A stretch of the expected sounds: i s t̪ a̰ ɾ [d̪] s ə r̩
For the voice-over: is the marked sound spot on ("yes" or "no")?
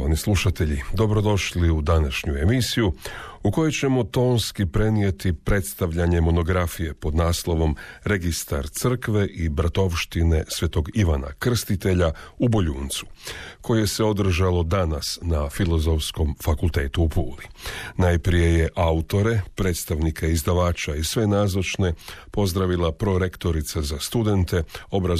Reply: no